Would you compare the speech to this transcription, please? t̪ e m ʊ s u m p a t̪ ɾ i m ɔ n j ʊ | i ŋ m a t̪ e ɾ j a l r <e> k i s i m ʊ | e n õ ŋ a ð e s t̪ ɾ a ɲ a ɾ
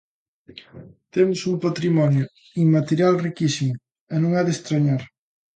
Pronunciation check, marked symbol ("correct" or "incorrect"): incorrect